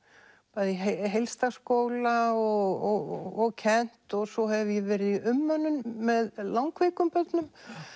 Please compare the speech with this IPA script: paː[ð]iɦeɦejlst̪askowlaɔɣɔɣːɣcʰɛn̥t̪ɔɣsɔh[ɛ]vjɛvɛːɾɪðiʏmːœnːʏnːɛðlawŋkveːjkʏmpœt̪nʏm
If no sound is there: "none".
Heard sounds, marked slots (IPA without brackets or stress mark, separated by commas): ð, ɛ